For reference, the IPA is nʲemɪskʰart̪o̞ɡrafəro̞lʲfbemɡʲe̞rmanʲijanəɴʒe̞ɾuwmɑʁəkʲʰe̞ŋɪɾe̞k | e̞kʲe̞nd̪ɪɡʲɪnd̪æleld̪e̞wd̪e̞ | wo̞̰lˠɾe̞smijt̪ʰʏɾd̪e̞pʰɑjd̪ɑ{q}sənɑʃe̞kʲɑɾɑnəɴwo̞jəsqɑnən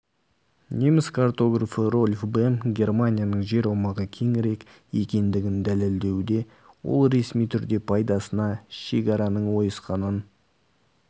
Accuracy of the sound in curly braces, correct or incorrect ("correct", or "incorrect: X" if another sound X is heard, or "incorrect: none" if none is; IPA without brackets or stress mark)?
incorrect: none